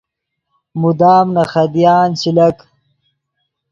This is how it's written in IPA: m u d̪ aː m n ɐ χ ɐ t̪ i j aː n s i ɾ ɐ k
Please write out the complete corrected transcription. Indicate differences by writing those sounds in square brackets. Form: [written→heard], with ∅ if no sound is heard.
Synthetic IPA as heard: m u d̪ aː m n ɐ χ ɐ [t̪→d̪] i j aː n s i [ɾ→l] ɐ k